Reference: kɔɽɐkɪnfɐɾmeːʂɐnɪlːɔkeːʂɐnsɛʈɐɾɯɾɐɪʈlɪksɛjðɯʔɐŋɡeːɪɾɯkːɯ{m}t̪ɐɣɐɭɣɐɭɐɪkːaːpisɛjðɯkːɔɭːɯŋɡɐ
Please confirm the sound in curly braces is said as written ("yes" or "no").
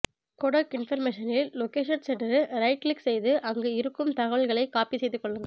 yes